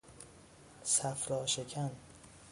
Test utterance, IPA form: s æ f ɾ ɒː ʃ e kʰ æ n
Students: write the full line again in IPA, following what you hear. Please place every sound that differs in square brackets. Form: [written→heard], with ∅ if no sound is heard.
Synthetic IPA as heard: s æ f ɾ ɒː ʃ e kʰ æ n